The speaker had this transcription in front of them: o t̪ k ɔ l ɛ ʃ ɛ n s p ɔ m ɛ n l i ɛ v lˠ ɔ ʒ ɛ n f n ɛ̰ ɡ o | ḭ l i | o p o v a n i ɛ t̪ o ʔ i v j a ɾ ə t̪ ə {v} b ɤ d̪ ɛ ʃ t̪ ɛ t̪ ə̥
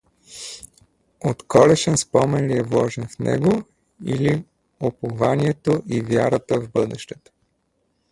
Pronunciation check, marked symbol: correct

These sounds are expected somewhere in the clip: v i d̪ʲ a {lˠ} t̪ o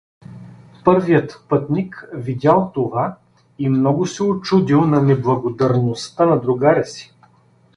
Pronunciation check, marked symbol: correct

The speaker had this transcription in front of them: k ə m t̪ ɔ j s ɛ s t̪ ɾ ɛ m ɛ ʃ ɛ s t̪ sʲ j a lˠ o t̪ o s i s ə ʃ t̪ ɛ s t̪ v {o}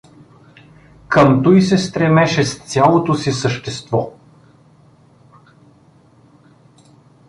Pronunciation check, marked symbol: incorrect: ɔ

